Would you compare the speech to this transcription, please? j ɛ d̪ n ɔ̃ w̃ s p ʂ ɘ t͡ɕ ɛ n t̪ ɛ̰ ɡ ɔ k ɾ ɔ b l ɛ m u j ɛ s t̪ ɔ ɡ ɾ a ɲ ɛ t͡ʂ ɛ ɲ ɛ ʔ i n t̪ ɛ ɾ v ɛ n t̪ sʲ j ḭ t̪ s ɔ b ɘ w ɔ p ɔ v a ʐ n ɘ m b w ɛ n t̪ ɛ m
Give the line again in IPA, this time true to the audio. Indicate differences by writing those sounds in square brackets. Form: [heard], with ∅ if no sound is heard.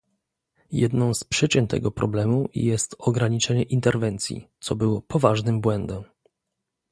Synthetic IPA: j ɛ d̪ n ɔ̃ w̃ s p ʂ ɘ t͡ɕ ɛ n t̪ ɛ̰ ɡ ɔ [p] ɾ ɔ b l ɛ m u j ɛ s t̪ ɔ ɡ ɾ a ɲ [i] t͡ʂ ɛ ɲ ɛ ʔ i n t̪ ɛ ɾ v ɛ n t̪ sʲ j ḭ t̪ s ɔ b ɘ w ɔ p ɔ v a ʐ n ɘ m b w ɛ n [d̪] ɛ m